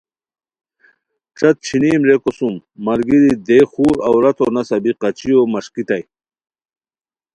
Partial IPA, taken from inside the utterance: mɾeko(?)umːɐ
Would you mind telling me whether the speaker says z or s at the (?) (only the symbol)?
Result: s